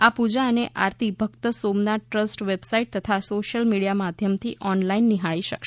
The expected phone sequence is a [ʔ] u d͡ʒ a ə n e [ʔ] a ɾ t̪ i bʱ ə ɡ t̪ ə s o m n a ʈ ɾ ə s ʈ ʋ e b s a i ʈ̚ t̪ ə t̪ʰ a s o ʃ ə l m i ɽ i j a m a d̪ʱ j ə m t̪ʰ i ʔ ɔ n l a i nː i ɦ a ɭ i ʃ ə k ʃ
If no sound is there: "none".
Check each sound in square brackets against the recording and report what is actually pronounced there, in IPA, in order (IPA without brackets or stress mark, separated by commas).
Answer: p, ʔ